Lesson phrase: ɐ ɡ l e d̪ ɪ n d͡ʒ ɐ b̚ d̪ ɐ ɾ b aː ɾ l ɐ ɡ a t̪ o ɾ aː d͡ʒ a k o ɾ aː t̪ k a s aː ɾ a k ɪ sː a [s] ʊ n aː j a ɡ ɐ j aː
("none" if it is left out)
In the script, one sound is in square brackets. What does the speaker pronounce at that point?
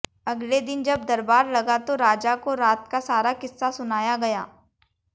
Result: s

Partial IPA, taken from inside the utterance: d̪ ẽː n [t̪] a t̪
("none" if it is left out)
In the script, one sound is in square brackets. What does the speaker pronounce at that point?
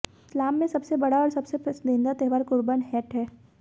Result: d̪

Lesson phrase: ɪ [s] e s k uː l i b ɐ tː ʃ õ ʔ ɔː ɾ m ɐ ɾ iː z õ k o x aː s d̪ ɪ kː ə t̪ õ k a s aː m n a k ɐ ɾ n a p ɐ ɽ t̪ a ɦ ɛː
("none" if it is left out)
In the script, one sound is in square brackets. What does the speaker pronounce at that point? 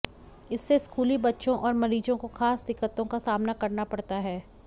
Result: sː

